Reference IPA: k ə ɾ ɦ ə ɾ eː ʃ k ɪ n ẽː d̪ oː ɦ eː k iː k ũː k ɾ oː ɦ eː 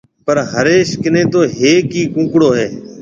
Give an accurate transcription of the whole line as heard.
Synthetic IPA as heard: p ə ɾ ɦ ə ɾ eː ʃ k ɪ n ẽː t̪ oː ɦ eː k iː k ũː k ɽ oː ɦ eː